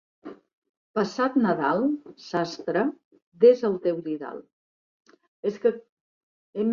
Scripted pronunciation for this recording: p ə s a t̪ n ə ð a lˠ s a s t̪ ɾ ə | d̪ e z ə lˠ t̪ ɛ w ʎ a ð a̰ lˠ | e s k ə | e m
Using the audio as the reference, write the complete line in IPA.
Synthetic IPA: p ə s a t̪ n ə ð a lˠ s a s t̪ ɾ ə | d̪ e z ə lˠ t̪ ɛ w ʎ i ð a̰ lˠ | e s k ə | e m